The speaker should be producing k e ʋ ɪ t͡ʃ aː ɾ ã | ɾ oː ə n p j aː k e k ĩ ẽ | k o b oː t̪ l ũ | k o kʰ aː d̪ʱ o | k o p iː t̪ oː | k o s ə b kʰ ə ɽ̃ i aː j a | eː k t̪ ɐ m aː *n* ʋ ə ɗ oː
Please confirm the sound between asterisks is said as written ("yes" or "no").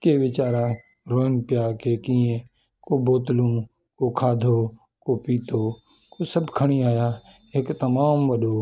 no